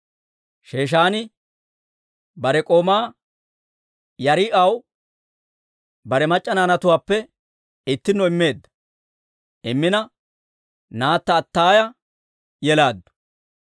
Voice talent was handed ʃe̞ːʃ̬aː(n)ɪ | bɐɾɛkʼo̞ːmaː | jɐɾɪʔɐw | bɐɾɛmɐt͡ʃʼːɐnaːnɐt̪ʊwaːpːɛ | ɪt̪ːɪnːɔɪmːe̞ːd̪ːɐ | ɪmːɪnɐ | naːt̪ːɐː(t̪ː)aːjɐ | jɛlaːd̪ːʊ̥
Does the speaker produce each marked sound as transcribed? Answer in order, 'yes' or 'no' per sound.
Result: yes, yes

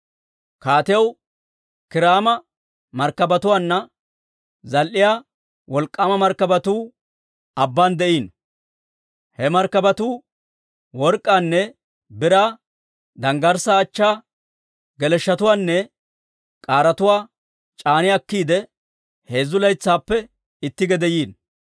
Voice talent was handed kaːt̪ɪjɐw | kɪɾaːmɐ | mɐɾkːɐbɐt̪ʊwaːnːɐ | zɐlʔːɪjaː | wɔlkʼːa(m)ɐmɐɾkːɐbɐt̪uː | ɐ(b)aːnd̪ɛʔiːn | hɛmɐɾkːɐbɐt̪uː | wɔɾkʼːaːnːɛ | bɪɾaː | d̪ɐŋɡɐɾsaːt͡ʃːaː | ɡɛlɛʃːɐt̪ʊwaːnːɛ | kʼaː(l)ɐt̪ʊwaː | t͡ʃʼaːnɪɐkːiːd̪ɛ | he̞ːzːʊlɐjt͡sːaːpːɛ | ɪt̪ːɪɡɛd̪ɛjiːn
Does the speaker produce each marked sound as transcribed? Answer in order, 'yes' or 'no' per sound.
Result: yes, no, no

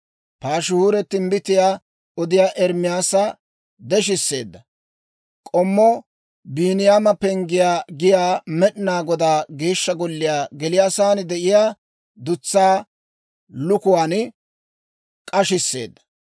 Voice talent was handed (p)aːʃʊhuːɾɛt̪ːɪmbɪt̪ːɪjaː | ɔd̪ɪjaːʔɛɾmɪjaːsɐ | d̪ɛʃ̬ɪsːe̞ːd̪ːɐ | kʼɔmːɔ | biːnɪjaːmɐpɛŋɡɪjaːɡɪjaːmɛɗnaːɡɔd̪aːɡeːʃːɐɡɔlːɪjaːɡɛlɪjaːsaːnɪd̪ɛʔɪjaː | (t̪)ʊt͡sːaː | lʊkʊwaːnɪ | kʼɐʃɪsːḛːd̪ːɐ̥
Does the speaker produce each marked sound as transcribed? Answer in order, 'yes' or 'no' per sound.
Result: yes, no

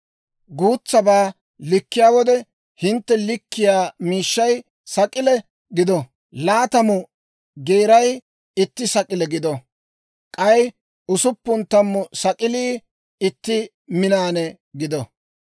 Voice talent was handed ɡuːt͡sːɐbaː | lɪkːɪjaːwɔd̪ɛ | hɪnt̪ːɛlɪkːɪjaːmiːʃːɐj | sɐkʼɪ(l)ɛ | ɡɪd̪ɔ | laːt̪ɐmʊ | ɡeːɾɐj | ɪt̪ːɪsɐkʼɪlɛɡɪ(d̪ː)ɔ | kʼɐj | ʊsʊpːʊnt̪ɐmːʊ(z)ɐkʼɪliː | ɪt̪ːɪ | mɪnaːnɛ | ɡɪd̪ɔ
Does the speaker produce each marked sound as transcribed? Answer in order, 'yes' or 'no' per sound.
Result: yes, no, no

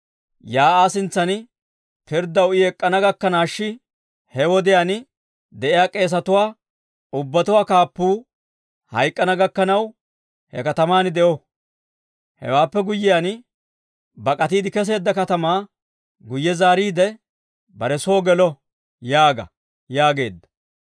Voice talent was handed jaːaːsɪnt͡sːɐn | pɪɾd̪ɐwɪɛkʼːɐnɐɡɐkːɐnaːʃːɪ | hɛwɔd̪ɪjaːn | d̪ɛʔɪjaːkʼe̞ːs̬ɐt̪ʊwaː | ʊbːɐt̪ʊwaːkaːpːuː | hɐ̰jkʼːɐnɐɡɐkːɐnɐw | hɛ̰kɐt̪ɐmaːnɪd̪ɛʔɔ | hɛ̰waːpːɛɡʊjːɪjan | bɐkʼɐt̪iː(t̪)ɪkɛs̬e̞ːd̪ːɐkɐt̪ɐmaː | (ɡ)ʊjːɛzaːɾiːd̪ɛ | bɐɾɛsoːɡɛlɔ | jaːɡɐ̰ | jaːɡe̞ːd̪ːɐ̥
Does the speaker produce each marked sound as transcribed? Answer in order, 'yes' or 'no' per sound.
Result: no, yes

